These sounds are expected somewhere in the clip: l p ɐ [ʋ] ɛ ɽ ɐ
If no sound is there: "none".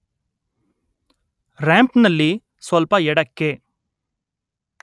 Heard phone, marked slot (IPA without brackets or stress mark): none